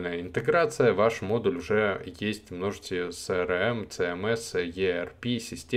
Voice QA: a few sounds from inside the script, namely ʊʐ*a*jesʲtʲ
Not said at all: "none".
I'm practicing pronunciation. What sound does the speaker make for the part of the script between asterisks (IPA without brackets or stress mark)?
ɛ